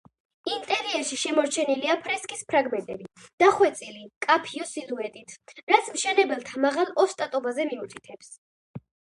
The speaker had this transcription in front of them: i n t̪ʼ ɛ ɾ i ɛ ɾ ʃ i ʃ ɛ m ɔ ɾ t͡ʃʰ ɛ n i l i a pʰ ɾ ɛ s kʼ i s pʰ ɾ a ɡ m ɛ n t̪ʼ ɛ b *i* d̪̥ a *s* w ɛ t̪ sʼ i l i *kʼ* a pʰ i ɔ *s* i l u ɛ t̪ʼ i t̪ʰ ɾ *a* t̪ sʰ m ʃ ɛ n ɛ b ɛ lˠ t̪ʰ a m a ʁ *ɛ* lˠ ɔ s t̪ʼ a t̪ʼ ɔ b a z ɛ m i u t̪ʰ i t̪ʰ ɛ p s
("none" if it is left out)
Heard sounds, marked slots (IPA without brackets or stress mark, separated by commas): i, χ, kʼ, s, a, a